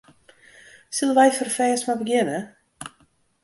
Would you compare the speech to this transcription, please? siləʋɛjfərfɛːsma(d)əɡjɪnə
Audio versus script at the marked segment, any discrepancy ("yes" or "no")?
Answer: yes